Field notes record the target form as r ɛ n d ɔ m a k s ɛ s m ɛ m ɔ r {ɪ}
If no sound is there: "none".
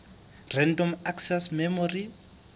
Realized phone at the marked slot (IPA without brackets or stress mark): i